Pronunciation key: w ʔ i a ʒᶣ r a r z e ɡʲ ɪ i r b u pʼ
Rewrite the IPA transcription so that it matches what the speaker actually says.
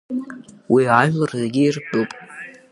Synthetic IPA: w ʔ i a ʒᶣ l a r z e ɡʲ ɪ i r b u pʼ